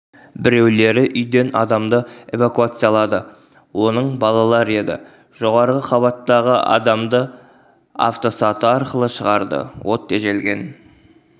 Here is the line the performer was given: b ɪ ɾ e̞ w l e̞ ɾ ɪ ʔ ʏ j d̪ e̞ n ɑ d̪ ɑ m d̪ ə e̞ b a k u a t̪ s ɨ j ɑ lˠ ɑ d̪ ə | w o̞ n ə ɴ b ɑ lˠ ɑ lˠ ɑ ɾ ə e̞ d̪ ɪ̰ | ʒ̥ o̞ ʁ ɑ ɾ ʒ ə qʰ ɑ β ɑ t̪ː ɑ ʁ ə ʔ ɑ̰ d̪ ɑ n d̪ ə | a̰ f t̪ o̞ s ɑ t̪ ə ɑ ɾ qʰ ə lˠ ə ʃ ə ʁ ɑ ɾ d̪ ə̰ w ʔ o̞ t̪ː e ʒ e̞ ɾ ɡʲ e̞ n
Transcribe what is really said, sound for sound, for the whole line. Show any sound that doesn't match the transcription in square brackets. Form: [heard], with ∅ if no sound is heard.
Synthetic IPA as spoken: b ɪ ɾ e̞ w l e̞ ɾ ɪ ʔ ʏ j d̪ e̞ n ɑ d̪ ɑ m d̪ ə e̞ [v] a k u a t̪ s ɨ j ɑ lˠ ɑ d̪ ə | w o̞ n ə ɴ b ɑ lˠ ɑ lˠ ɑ ɾ ə e̞ d̪ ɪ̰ | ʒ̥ o̞ ʁ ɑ ɾ [ʁ] ə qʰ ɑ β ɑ t̪ː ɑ ʁ ə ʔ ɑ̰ d̪ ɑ [m] d̪ ə | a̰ f t̪ o̞ s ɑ t̪ ə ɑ ɾ [q] ə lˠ ə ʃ ə ʁ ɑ ɾ d̪ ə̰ w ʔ o̞ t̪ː e ʒ e̞ [l] ɡʲ e̞ n